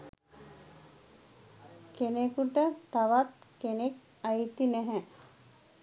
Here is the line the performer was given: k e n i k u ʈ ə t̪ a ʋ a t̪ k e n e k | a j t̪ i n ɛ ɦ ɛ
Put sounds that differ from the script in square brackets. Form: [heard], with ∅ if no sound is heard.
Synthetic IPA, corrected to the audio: k e n [e] k u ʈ ə t̪ a ʋ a t̪ k e n e k | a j t̪ i n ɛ ɦ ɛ